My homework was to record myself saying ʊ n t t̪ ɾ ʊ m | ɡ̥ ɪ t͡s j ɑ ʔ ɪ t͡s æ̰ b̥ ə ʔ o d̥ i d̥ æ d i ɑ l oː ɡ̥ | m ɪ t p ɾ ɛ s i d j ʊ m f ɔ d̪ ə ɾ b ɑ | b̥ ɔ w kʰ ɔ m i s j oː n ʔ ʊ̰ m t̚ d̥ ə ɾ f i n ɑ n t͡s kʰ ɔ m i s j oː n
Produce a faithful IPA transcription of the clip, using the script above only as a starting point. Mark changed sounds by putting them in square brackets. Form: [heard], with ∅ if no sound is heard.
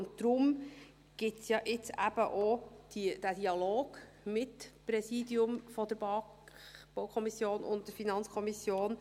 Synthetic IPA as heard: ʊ n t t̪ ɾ ʊ m | ɡ̥ ɪ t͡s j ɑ ʔ ɪ t͡s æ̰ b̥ ə ʔ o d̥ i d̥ æ d i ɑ l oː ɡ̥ | m ɪ t p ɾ ɛ s i d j ʊ m f ɔ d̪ ə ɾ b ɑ | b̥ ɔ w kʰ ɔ m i s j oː n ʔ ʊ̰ [n] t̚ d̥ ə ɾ f i n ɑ n t͡s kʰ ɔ m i s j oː n